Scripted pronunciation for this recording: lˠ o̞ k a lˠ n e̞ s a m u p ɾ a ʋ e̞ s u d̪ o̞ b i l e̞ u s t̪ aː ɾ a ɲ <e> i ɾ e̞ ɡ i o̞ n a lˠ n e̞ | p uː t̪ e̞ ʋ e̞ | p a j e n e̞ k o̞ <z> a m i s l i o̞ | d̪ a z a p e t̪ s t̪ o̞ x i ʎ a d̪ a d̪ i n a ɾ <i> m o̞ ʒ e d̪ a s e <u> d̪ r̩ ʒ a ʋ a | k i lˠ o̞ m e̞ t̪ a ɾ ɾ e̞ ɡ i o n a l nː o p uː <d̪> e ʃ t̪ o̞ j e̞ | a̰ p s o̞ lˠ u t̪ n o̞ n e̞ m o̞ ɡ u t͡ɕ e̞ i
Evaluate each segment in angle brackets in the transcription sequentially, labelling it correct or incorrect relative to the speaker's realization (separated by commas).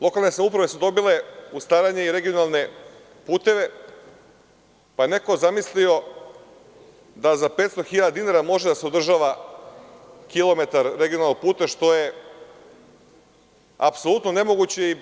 correct, correct, incorrect, incorrect, incorrect